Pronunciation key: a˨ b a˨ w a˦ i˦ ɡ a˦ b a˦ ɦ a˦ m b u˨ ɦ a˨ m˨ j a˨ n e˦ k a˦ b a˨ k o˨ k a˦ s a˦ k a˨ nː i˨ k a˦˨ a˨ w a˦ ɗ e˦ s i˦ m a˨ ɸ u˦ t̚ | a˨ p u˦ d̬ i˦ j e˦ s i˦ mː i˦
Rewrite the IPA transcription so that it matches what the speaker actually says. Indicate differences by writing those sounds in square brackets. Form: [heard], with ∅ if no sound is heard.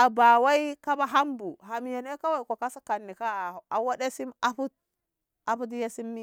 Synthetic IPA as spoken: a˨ b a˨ w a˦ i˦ [k] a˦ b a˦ ɦ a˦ m b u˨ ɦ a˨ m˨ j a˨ n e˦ k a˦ [w] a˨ k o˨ k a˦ s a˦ k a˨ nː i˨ k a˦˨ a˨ w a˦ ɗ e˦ s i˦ m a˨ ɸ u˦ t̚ | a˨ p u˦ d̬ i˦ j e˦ s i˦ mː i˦